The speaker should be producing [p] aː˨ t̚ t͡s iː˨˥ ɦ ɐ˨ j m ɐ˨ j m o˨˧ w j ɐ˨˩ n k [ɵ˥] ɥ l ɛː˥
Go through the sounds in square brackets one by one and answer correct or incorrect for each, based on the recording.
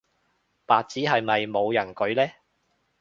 correct, incorrect

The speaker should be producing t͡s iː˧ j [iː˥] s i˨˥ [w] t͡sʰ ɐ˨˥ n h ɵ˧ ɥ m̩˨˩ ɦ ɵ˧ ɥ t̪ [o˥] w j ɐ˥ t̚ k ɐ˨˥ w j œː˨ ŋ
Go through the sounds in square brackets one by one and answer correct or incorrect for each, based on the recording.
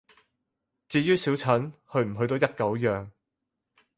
incorrect, correct, incorrect

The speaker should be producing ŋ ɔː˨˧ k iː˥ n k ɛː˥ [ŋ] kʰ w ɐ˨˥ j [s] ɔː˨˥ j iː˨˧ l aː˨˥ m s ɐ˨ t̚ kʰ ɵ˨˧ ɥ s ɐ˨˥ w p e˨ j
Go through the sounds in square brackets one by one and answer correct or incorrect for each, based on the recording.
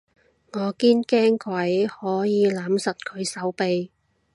correct, incorrect

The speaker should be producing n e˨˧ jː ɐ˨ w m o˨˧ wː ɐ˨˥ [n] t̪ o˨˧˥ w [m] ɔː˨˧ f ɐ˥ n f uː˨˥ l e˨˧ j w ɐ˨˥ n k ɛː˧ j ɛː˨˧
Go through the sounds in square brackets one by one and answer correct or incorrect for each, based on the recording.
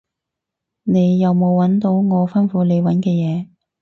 correct, incorrect

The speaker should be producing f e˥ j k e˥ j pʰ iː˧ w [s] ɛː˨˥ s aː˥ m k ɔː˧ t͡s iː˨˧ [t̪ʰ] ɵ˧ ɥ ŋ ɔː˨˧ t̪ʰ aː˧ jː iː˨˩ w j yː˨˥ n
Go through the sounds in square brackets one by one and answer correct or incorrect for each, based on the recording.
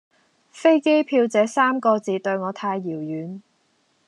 incorrect, incorrect

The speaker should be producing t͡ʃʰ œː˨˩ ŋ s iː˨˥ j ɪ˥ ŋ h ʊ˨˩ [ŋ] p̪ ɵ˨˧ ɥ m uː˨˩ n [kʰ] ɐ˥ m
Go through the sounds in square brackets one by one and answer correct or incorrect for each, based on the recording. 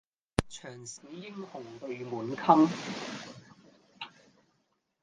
correct, correct

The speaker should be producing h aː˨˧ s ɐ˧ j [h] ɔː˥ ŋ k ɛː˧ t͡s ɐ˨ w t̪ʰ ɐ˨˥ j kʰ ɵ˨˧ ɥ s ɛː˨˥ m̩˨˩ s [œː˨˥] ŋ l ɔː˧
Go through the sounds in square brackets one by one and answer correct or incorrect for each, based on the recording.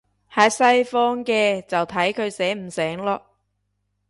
incorrect, incorrect

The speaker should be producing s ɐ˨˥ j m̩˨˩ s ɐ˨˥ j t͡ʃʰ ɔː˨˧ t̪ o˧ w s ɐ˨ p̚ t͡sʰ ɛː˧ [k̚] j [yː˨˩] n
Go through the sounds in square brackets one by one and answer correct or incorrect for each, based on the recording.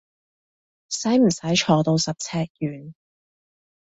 correct, correct

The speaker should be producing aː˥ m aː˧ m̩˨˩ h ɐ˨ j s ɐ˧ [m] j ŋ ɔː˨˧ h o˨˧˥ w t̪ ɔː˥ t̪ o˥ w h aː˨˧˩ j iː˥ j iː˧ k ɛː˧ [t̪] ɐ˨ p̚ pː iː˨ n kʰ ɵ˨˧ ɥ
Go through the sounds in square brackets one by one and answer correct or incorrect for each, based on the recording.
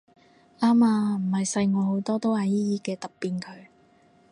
incorrect, correct

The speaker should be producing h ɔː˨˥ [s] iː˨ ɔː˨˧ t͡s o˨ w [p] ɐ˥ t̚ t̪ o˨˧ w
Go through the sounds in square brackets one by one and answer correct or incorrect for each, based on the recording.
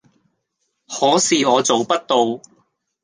correct, correct

